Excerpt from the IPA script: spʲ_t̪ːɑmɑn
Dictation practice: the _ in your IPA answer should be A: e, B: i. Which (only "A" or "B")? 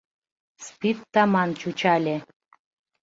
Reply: B